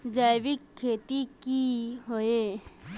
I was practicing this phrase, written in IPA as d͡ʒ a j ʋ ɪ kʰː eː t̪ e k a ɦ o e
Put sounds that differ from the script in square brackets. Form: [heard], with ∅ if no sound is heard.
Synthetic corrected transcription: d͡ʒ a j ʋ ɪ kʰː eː t̪ [i] k [i] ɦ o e